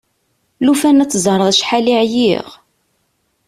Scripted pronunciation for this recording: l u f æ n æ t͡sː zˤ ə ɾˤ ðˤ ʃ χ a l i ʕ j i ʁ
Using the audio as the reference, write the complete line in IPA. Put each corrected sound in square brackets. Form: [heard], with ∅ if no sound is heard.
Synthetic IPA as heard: l u f æ n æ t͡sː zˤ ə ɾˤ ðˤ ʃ [ħ] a l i ʕ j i ʁ